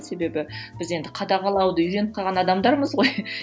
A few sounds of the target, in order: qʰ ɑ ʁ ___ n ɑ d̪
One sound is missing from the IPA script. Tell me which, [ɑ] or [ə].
ɑ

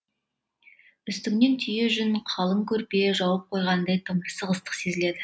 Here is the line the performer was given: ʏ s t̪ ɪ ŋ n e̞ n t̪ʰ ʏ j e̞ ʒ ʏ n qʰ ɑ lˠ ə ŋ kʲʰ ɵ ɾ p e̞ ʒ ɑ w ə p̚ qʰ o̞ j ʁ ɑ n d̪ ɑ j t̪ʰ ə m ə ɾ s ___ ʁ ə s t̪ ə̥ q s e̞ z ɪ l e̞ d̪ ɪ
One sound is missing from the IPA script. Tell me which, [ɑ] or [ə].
ə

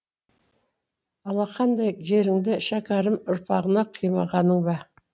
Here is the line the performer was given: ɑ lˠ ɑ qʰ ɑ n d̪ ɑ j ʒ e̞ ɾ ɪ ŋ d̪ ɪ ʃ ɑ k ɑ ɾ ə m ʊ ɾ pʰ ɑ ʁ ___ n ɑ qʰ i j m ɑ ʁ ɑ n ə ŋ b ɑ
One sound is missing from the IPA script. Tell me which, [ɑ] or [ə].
ə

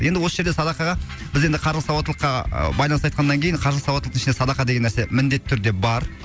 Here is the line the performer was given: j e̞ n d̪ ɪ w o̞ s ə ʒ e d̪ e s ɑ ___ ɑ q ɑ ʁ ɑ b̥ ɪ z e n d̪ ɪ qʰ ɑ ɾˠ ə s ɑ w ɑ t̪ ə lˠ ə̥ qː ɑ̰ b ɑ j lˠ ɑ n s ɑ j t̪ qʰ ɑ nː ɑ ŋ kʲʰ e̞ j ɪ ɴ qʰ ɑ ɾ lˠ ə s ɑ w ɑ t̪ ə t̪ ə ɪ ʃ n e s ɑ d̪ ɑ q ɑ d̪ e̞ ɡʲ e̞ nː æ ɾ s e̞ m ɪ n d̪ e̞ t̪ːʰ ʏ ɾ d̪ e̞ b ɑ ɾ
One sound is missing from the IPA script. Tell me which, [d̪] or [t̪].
d̪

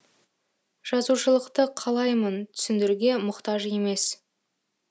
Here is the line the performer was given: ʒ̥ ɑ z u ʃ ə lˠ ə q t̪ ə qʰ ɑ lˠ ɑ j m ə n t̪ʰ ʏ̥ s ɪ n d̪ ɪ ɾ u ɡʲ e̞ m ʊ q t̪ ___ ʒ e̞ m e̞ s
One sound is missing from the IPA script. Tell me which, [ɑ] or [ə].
ɑ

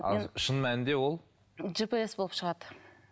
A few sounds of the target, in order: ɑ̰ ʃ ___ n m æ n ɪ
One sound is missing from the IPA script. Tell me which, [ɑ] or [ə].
ə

